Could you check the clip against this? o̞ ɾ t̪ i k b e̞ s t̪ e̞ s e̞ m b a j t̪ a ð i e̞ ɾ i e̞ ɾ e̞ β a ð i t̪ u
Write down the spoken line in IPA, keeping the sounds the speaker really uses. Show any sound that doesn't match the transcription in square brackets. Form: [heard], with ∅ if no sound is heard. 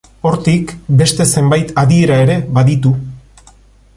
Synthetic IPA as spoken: o̞ ɾ t̪ i k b e̞ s t̪ e̞ s e̞ m b a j t̪ a ð i e̞ ɾ [a] e̞ ɾ e̞ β a ð i t̪ u

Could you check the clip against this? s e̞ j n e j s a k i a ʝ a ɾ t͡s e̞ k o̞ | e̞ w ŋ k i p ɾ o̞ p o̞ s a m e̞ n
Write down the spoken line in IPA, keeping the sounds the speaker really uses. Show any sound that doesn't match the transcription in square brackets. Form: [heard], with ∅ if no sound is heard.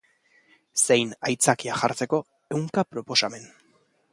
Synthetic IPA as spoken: s e̞ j n [a] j [t͡s] a k i a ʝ a ɾ t͡s e̞ k o̞ | e̞ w ŋ k [a] p ɾ o̞ p o̞ s a m e̞ n

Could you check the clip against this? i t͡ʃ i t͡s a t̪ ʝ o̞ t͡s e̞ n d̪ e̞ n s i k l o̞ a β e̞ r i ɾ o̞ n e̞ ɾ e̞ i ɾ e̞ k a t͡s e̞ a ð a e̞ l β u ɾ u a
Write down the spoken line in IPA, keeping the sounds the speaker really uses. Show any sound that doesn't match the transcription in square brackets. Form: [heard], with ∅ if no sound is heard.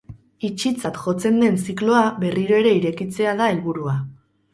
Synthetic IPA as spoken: i t͡ʃ i t͡s a t̪ ʝ o̞ t͡s e̞ n d̪ e̞ n s i k l o̞ a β e̞ r i ɾ o̞ [∅] e̞ ɾ e̞ i ɾ e̞ k [i] t͡s e̞ a ð a e̞ l β u ɾ u a

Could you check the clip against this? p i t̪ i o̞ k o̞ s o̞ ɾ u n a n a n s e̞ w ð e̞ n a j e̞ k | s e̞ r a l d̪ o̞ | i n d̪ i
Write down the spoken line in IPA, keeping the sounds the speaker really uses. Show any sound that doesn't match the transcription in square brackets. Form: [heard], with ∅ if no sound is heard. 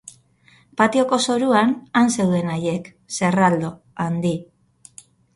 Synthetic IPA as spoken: p [a] t̪ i o̞ k o̞ s o̞ ɾ u [∅] a n a n s e̞ w ð e̞ n a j e̞ k | s e̞ r a l d̪ o̞ | [a] n d̪ i

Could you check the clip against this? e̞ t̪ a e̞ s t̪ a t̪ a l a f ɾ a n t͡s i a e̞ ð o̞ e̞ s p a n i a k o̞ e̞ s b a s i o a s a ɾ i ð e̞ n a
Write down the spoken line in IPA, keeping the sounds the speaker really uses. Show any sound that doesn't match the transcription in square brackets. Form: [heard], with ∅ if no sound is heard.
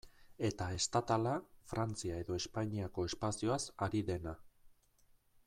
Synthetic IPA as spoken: e̞ t̪ a e̞ s t̪ a t̪ a l a f ɾ a n t͡s i a e̞ ð o̞ e̞ s p a [ɲ] i a k o̞ e̞ s [p] a s i o a s a ɾ i ð e̞ n a

